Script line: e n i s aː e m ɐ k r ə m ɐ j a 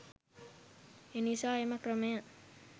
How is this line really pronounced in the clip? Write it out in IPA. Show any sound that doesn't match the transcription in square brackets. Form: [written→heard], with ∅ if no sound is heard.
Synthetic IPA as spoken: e n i s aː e m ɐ k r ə m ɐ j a